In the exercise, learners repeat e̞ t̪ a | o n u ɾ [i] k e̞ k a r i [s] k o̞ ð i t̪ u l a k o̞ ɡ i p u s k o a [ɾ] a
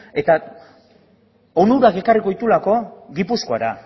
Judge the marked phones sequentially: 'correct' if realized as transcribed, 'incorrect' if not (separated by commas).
incorrect, incorrect, correct